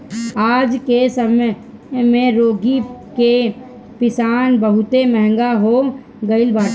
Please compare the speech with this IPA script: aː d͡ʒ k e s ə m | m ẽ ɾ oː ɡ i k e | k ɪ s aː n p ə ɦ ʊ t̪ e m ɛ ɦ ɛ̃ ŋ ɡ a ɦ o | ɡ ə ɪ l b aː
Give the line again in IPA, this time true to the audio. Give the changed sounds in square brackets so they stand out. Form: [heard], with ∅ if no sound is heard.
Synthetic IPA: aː d͡ʒ k e s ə m | m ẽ ɾ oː ɡ i k e | [p] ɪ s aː n [b] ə ɦ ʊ t̪ e m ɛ ɦ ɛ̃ ŋ ɡ a ɦ o | ɡ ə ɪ l b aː